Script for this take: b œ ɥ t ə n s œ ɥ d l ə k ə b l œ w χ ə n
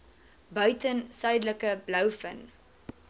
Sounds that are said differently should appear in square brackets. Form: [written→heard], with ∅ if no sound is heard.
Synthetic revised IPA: b œ ɥ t ə n s œ ɥ d l ə k ə b l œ w [χ→f] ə n